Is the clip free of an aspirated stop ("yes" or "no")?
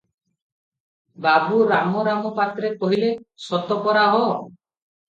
yes